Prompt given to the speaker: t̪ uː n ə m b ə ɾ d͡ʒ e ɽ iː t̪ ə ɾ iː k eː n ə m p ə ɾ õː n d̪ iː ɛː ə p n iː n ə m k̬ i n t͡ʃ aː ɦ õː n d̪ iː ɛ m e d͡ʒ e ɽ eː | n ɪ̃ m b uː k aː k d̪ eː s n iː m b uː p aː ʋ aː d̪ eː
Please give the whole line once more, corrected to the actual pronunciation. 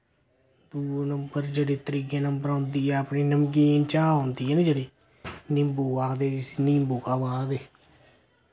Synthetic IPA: d̪ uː n ə m b ə ɾ d͡ʒ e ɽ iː t̪ ə ɾ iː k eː n ə m b ə ɾ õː n d̪ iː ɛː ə p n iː n ə m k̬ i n t͡ʃ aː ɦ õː n d̪ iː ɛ n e d͡ʒ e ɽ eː | n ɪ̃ m b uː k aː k d̪ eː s n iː m b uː k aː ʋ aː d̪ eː